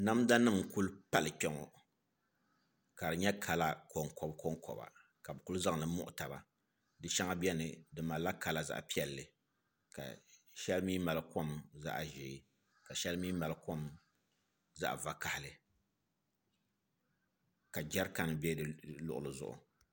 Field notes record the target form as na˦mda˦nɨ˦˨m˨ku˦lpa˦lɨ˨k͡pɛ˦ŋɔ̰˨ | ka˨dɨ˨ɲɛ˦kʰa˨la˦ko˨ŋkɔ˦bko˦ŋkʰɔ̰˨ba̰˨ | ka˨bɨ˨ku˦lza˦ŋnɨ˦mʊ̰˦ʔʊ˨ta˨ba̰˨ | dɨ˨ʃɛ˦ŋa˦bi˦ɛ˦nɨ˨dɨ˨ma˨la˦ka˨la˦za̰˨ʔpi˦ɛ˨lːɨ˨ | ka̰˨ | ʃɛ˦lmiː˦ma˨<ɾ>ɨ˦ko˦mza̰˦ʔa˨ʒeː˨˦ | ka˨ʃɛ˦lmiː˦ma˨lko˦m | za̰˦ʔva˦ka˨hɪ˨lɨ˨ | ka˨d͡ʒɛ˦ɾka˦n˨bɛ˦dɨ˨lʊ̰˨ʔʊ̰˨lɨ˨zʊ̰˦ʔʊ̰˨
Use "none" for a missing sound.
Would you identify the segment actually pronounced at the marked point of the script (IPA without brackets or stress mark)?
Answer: l